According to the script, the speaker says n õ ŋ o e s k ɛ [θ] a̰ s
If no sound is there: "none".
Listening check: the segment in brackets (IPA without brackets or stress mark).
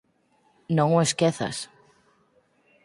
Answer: θ